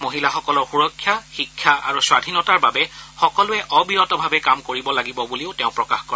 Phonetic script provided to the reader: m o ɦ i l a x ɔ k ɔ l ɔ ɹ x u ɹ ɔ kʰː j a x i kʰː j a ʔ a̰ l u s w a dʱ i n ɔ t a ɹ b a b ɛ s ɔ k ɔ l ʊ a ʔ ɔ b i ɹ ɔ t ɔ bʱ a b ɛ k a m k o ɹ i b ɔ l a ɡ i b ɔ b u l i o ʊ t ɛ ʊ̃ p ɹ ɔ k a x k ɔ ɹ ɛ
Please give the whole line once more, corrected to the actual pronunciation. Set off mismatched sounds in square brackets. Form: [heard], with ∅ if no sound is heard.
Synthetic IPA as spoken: m o ɦ i l a x ɔ k ɔ l ɔ ɹ x u ɹ ɔ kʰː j a x i kʰː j a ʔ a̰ [ɹ] u s w a dʱ i n ɔ t a ɹ b a b ɛ [x] ɔ k ɔ l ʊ [ɛ] ʔ ɔ b i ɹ ɔ t ɔ bʱ a b ɛ k a m k o ɹ i b ɔ l a ɡ i b ɔ b u l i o ʊ t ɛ ʊ̃ p ɹ ɔ k a x k ɔ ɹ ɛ